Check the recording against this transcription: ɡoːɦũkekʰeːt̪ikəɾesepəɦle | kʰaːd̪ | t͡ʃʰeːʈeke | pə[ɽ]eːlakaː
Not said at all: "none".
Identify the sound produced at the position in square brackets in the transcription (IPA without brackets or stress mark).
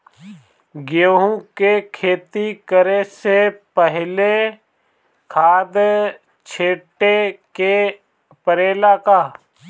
ɾ